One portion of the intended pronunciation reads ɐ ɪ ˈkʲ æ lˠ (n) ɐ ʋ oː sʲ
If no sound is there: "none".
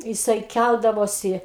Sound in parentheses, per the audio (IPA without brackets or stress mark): d